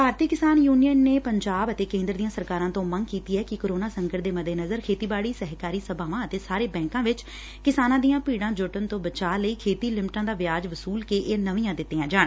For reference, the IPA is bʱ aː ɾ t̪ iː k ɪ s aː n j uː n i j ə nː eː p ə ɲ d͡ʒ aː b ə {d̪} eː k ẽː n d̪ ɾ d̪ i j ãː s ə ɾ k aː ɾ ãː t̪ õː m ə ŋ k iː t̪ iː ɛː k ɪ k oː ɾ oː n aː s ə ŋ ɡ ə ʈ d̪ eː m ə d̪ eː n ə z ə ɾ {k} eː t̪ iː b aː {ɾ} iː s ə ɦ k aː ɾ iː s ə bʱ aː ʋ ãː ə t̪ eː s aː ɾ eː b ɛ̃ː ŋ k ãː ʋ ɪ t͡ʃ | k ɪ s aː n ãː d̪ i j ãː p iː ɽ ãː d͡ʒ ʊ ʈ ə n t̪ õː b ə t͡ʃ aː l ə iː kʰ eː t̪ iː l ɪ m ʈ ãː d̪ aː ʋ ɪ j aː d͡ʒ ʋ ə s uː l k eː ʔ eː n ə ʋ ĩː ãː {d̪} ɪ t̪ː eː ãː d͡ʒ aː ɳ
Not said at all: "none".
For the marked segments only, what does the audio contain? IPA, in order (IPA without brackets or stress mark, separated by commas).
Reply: t̪, kʰ, ɽ, d̪